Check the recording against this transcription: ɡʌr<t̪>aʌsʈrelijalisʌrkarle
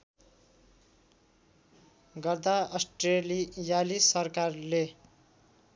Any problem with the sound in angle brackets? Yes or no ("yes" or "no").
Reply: yes